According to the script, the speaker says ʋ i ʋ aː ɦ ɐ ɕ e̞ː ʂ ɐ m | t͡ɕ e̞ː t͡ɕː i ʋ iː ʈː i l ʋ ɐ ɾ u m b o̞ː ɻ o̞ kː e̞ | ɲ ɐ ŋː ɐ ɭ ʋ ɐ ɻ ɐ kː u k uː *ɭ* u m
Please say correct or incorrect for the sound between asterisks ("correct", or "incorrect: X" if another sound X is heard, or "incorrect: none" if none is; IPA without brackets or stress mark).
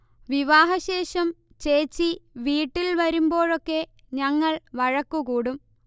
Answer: incorrect: ɽ